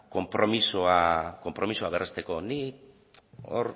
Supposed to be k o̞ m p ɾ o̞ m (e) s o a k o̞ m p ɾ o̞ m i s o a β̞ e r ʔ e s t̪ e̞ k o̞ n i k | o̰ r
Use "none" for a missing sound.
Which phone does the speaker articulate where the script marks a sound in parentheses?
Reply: i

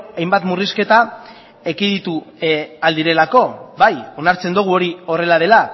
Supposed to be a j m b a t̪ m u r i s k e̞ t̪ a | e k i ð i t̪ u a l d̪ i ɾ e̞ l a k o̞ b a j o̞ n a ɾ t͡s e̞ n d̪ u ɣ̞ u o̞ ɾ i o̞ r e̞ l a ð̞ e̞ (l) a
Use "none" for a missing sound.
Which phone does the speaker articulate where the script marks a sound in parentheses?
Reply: l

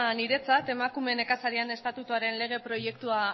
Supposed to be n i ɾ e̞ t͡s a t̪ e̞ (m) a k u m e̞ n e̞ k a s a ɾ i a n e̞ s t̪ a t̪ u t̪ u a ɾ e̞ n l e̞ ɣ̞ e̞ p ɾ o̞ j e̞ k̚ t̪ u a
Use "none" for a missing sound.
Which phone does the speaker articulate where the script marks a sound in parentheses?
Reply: m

